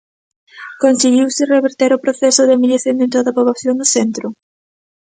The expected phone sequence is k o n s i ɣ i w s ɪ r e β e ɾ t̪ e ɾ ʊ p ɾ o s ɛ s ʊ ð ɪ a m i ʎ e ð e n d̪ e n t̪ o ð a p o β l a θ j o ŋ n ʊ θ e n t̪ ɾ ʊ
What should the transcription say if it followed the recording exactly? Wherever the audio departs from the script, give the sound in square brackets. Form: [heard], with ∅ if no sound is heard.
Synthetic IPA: k o n s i ɣ i w s ɪ r e β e ɾ t̪ e ɾ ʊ p ɾ o [θ] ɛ s ʊ ð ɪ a m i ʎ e [θ] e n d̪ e n t̪ o ð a p o β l a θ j o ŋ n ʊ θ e n t̪ ɾ ʊ